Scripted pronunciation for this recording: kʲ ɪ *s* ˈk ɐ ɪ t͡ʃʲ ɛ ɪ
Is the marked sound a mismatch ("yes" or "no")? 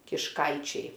yes